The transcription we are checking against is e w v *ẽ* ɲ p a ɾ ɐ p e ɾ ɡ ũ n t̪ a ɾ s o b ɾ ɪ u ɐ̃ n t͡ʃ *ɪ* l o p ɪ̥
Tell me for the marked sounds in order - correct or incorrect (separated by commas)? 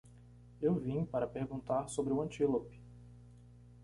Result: incorrect, incorrect